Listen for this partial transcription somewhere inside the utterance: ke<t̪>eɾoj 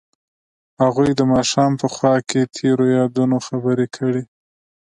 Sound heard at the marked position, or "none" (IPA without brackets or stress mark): t̪ʰ